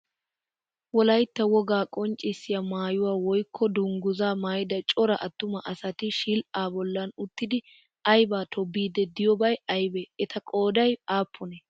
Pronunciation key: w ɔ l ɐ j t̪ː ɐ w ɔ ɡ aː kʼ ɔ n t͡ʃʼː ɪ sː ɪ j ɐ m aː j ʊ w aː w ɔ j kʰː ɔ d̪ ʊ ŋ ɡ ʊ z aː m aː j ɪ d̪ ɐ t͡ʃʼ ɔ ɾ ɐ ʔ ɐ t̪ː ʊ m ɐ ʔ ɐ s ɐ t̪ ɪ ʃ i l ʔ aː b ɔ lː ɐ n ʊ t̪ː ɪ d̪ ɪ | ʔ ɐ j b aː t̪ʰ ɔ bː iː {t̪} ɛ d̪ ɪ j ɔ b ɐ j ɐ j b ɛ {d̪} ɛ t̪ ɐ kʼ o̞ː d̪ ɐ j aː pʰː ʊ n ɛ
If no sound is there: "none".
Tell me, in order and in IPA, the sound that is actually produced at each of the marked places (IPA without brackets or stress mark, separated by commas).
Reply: d̪, none